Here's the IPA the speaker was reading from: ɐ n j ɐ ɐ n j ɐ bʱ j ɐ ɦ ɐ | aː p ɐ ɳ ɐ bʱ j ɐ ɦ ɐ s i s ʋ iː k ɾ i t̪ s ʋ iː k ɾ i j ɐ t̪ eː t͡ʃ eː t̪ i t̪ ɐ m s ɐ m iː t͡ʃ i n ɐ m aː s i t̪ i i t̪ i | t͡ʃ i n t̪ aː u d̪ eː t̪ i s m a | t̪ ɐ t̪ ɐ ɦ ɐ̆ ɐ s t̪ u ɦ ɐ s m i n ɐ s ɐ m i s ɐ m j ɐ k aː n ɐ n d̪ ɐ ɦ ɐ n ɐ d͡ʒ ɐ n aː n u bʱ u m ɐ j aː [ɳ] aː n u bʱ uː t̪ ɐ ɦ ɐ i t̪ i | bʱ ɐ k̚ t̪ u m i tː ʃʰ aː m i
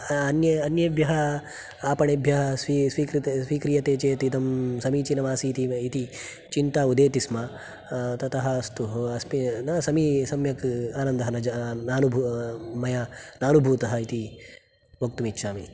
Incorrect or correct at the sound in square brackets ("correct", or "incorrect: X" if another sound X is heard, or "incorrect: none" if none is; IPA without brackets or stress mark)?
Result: incorrect: n